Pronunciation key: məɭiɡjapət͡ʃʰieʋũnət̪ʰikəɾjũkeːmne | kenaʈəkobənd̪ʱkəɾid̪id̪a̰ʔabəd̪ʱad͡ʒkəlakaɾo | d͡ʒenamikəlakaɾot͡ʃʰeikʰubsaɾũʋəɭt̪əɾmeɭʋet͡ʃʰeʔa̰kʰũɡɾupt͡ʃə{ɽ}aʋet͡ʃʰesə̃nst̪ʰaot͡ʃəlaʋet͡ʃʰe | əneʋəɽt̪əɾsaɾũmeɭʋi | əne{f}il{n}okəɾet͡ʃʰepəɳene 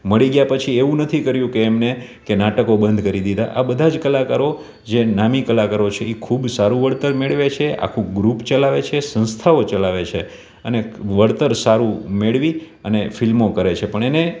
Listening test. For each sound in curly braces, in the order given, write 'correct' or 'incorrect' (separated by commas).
incorrect, correct, incorrect